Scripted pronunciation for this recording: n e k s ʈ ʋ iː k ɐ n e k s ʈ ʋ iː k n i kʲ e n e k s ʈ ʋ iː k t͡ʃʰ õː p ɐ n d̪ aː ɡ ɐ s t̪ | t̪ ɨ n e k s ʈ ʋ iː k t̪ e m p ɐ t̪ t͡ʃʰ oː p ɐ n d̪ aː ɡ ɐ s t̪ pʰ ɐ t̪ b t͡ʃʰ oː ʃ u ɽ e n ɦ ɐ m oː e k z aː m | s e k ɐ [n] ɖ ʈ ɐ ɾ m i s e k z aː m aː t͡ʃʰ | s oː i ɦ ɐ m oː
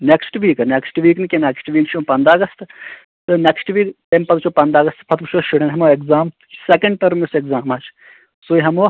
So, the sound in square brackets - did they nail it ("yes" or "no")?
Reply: no